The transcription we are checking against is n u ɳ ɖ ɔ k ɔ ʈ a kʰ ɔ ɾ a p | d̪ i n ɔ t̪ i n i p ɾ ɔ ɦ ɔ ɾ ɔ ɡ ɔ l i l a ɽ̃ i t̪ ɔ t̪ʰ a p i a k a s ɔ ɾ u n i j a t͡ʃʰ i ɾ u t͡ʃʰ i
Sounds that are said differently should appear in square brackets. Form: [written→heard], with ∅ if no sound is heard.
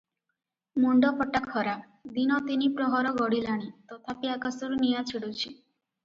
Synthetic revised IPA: [n→m] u ɳ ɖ ɔ [k→p] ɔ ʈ a kʰ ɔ ɾ a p | d̪ i n ɔ t̪ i n i p ɾ ɔ ɦ ɔ ɾ ɔ ɡ ɔ [l→ɽ] i l a ɽ̃ i t̪ ɔ t̪ʰ a p i a k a s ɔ ɾ u n i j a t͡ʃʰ i [ɾ→ɽ] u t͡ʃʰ i